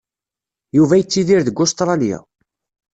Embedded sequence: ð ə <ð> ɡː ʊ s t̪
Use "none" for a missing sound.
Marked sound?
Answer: none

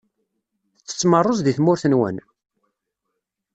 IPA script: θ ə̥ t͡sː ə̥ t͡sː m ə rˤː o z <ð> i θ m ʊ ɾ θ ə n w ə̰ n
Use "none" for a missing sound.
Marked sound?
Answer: ð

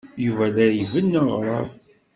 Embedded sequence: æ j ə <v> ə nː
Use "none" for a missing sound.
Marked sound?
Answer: v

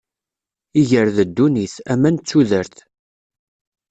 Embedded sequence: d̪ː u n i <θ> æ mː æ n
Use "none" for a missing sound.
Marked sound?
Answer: θ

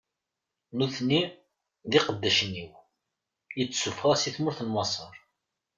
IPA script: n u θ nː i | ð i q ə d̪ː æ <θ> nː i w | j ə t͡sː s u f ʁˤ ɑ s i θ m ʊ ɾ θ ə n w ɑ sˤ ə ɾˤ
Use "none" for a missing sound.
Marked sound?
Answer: ʃ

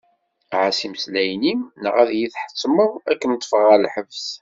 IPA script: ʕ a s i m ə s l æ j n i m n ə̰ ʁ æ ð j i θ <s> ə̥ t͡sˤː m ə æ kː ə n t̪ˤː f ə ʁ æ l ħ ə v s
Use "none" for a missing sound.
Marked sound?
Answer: ħ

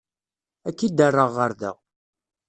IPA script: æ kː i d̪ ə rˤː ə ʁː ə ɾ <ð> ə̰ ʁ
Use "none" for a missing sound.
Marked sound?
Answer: ð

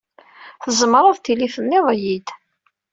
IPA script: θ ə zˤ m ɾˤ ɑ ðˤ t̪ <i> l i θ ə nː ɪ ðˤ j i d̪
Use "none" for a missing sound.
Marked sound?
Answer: i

